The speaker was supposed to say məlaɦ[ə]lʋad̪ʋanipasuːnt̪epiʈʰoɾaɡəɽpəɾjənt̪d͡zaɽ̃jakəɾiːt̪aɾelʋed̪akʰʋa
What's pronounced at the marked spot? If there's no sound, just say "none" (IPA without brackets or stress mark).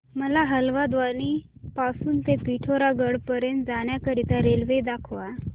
ə